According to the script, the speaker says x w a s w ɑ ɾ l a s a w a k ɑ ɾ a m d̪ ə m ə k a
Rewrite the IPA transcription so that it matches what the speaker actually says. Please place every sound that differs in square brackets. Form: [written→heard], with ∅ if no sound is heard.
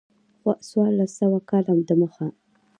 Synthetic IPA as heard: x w a s w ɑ ɾ l a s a w a k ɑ [ɾ→l] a m d̪ ə m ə [k→x] a